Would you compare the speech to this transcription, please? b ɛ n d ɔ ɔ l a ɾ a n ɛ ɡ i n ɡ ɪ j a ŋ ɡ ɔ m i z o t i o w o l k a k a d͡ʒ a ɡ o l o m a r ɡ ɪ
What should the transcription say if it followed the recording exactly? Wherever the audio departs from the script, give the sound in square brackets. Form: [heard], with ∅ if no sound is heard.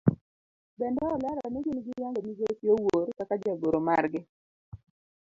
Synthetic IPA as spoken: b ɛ n d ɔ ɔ l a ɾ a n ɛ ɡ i n ɡ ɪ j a ŋ ɡ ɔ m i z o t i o w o [ɾ] k a k a d͡ʒ a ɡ o [ɾ] o m a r ɡ ɪ